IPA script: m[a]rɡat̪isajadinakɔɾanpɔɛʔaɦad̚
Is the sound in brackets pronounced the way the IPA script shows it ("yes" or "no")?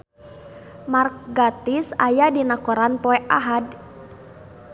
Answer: yes